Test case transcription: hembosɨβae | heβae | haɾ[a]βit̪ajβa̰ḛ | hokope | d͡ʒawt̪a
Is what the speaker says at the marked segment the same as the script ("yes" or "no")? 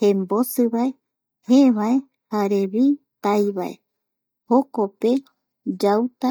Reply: no